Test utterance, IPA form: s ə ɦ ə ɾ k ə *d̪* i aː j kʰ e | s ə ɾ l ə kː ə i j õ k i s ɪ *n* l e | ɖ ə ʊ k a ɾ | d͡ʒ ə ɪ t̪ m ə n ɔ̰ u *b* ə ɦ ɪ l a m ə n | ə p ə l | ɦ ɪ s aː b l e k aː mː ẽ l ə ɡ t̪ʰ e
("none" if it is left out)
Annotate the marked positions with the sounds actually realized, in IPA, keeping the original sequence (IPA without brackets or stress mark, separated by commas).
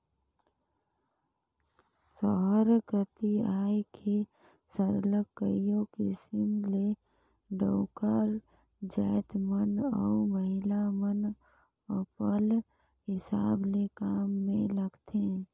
t̪, m, m